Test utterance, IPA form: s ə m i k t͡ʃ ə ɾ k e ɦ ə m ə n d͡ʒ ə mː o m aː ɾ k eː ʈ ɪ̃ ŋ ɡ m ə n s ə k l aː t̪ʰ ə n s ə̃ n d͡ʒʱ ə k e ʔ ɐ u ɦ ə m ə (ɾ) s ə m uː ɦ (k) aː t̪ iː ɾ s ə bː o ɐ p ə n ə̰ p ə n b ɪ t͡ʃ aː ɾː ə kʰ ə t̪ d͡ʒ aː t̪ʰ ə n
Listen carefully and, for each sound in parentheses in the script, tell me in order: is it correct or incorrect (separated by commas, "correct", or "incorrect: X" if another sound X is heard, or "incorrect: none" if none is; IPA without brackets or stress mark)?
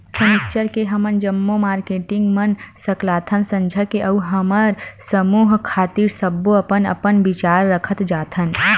correct, incorrect: kʰ